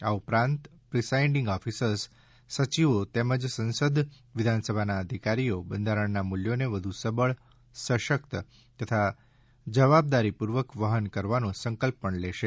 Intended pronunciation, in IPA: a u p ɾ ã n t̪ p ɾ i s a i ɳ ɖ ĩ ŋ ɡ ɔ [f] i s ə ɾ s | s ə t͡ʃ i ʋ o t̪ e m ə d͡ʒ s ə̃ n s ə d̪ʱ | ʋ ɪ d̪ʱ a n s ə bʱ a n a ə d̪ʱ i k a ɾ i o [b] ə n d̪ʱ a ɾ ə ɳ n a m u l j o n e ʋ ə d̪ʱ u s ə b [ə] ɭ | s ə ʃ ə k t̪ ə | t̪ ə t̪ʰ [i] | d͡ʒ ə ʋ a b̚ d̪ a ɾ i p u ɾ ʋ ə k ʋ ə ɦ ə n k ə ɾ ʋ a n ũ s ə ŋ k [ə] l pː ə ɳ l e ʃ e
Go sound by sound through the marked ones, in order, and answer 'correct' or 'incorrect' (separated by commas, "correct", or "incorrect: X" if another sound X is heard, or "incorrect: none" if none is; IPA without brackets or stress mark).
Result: correct, correct, correct, incorrect: a, correct